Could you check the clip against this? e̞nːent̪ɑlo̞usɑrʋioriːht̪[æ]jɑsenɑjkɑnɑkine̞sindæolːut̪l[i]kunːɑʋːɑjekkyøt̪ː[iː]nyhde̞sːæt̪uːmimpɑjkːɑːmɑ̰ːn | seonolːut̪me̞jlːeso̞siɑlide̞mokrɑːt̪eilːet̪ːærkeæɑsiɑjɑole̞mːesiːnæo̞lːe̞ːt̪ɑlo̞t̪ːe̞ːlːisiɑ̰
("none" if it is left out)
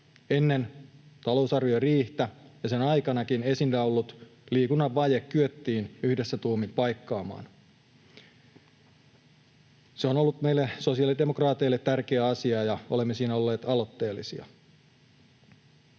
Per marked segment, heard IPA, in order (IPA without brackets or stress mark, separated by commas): æ, iː, iː